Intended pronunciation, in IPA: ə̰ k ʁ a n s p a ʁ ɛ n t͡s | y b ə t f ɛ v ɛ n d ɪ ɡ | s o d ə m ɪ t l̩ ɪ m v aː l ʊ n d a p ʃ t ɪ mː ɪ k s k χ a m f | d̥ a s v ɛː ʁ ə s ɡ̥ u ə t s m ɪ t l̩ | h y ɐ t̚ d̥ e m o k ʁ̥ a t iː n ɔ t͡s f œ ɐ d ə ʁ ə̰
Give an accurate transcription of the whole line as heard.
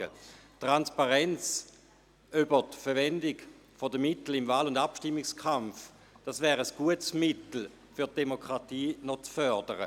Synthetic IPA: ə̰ t ʁ a n s p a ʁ ɛ n t͡s | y b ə t f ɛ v ɛ n d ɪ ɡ | f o d ə m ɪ t l̩ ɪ m v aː l ʊ n d a p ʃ t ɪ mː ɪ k s k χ a m f | d̥ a s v ɛː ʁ ə s ɡ̥ u ə t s m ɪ t l̩ | f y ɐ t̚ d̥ e m o k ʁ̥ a t iː n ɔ t͡s f œ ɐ d ə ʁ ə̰